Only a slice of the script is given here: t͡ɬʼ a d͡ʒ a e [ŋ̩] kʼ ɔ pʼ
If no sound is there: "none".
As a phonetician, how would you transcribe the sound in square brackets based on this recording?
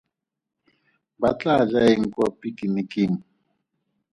ŋ̩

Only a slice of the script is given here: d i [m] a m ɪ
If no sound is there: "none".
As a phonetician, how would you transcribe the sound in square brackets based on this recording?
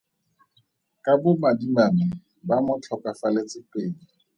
m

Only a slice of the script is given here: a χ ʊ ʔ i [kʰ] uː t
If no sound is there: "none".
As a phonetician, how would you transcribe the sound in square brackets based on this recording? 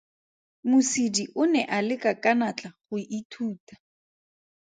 tʰ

